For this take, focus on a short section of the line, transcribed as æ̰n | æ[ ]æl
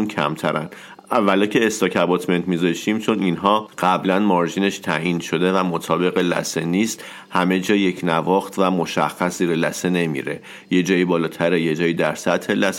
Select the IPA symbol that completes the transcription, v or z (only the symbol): v